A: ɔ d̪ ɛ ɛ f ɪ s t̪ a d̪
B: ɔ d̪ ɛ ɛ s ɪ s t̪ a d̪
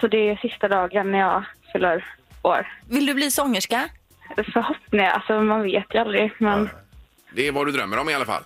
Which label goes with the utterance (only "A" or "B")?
B